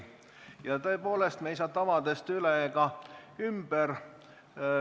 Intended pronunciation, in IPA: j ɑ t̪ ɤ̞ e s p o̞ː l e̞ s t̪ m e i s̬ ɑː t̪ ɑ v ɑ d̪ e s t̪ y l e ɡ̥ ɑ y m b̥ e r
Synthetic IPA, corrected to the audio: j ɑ t̪ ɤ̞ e p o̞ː l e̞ s t̪ m e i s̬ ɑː t̪ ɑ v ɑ d̪ e s t̪ y l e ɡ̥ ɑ y m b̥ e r